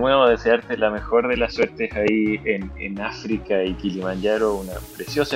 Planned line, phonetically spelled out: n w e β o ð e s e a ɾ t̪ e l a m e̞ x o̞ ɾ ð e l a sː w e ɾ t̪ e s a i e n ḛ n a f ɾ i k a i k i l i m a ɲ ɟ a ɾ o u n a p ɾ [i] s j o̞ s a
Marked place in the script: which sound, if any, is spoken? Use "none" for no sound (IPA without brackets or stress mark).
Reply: e